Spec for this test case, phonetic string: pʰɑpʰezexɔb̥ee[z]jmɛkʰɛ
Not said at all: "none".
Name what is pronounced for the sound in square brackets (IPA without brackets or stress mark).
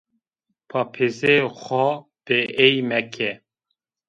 none